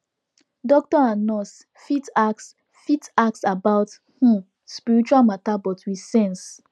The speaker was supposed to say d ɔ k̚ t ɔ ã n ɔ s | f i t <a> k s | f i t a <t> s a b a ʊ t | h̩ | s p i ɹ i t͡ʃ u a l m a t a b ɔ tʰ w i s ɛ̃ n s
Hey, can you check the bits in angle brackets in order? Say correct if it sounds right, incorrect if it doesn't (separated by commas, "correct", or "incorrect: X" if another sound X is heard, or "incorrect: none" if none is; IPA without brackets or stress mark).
correct, incorrect: k